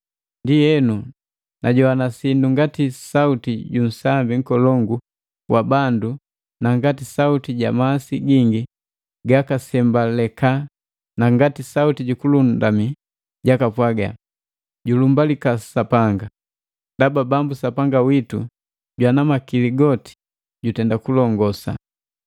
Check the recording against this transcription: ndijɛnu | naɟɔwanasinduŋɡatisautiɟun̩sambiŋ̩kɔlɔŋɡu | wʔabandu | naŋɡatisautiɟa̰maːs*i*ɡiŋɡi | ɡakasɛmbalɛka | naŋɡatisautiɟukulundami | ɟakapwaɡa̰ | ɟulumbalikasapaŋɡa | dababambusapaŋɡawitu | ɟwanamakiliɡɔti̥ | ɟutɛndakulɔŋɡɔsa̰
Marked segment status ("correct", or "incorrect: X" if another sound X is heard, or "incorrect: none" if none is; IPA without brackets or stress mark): correct